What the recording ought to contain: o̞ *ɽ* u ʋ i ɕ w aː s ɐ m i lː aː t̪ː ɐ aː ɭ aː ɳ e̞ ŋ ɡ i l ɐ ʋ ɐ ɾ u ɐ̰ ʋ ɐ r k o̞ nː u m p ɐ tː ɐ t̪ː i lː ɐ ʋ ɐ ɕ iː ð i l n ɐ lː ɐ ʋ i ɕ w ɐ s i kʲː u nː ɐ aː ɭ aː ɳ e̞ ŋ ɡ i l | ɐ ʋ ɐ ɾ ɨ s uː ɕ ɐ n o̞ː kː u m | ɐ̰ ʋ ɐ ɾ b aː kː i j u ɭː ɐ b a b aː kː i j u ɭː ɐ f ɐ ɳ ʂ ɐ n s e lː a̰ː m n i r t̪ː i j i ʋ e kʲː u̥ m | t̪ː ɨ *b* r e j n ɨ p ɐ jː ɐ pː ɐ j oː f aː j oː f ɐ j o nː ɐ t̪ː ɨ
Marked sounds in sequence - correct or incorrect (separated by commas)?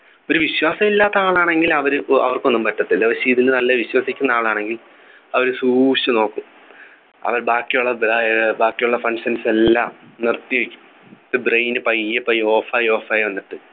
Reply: incorrect, correct